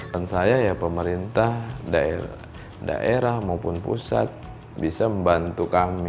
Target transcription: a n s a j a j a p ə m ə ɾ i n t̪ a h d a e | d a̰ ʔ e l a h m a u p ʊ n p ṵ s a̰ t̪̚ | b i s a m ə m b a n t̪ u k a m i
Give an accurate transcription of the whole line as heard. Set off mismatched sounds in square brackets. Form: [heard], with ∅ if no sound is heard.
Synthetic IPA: a n s a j a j a p ə m ə ɾ i n t̪ a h d a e | d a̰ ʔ e [ɾ] a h m a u p ʊ n p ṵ s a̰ t̪̚ | b i s a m ə m b a n t̪ u k a m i